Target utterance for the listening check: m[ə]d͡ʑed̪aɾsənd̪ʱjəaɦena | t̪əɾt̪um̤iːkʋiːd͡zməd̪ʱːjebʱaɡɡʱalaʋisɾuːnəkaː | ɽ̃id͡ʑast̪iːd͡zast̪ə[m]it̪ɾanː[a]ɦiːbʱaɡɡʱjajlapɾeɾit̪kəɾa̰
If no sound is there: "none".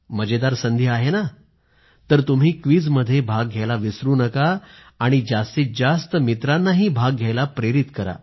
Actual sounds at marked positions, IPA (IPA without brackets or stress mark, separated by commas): ə, m, a